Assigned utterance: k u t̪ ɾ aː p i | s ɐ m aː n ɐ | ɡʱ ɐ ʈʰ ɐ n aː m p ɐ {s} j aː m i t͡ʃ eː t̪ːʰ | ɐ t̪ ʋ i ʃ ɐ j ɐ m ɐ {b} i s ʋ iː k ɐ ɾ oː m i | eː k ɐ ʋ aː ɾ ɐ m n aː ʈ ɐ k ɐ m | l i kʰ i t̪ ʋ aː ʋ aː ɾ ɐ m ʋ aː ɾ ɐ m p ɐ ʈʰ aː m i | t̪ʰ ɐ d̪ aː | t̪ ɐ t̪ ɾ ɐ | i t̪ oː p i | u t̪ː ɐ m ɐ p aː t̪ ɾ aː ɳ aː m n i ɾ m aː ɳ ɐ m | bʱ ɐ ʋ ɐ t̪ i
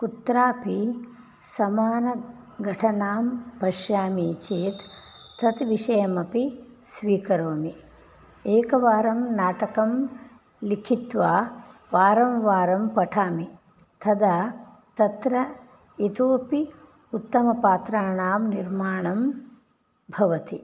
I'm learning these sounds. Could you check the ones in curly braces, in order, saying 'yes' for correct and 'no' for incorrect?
no, no

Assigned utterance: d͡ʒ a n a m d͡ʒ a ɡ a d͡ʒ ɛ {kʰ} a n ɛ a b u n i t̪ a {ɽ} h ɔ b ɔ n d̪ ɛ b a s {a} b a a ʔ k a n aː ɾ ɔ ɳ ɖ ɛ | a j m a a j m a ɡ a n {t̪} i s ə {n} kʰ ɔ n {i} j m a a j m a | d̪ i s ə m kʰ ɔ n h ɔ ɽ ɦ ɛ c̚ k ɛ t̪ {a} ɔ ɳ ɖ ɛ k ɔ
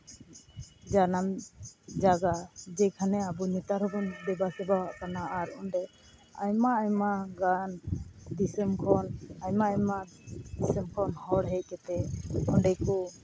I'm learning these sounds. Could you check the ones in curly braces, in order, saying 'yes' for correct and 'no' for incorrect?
yes, no, no, no, no, no, no

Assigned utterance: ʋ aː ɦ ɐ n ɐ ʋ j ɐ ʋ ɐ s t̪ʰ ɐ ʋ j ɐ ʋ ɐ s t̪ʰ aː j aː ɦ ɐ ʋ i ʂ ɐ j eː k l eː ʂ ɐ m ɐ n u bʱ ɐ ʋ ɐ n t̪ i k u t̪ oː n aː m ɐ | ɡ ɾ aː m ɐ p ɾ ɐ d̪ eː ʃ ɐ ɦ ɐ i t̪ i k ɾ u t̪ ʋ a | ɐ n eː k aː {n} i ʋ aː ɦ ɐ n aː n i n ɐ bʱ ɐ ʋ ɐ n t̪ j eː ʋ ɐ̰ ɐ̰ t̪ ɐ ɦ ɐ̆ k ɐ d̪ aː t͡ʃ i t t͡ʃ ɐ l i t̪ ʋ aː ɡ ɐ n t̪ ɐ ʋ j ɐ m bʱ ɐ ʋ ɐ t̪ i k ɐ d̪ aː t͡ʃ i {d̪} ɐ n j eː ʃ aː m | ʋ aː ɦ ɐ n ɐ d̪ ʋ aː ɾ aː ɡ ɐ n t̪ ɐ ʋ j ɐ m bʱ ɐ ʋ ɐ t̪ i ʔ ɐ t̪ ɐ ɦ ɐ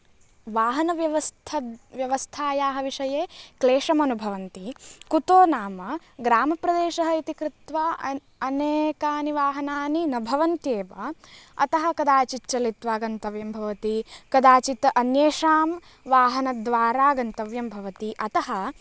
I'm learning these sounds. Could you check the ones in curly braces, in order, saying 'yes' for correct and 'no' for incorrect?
yes, no

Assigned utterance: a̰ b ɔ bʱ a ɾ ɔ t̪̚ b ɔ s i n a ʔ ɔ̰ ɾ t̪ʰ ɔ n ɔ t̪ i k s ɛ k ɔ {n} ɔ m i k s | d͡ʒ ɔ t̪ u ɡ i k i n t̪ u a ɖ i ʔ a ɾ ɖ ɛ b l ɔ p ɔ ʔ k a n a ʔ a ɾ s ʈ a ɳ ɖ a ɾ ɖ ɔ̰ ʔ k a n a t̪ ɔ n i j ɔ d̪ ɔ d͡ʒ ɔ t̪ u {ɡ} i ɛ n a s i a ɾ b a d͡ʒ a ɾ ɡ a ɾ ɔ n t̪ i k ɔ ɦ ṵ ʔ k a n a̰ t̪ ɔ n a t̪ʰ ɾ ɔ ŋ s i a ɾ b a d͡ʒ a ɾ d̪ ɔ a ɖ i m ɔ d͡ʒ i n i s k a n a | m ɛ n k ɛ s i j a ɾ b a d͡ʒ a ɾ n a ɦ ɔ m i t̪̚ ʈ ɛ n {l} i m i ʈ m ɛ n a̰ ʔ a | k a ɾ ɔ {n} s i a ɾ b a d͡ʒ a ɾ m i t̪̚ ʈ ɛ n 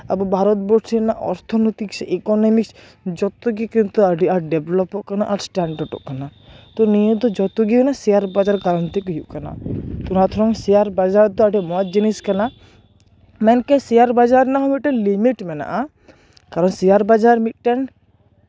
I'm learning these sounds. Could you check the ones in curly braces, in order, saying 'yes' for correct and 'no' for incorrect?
yes, yes, yes, yes

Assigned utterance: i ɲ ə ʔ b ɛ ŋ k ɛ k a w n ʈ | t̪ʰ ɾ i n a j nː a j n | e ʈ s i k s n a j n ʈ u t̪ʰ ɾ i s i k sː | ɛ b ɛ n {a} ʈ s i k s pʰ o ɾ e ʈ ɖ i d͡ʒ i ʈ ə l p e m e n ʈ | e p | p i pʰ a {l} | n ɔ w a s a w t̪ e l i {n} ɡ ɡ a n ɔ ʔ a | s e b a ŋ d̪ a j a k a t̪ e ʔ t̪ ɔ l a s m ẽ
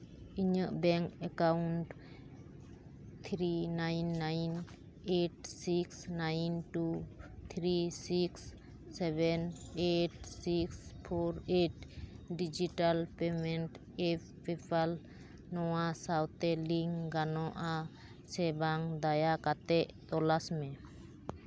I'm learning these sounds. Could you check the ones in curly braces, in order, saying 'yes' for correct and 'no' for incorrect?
no, yes, no

